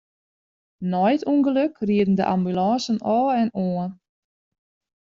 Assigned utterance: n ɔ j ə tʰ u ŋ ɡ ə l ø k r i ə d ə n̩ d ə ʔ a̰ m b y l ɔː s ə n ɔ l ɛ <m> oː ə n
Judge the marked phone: incorrect: n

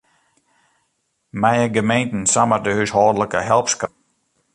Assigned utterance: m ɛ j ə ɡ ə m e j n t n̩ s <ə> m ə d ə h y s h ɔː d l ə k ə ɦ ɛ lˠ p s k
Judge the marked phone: incorrect: a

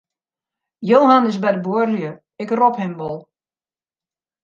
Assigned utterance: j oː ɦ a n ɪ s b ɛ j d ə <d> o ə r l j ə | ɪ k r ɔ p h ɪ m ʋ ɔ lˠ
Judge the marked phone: incorrect: b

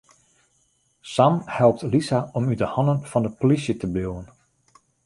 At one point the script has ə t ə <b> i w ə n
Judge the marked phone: correct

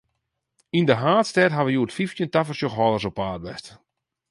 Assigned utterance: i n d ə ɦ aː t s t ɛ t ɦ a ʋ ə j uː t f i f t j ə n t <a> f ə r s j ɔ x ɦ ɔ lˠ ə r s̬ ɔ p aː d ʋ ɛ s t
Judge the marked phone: correct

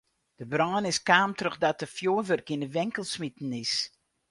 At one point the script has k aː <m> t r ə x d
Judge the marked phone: correct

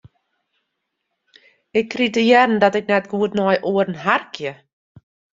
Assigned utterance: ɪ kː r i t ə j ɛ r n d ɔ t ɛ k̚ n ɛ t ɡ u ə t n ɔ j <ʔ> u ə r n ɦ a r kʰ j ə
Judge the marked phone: correct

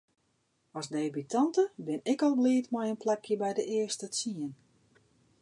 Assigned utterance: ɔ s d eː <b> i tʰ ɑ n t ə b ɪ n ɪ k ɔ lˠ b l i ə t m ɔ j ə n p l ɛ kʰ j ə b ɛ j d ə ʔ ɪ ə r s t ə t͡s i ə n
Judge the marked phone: correct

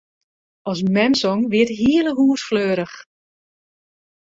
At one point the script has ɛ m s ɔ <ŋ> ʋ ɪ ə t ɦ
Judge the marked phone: correct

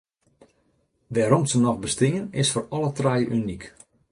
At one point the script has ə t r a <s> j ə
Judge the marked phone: incorrect: none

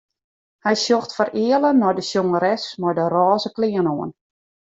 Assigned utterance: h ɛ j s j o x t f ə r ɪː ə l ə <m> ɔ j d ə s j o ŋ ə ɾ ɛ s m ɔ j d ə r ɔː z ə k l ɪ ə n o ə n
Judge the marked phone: incorrect: n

